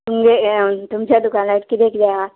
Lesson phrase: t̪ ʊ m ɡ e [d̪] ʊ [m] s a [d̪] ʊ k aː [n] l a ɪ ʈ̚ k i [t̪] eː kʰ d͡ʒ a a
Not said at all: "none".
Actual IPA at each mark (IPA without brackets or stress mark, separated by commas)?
t̪, m, d̪, n, d̪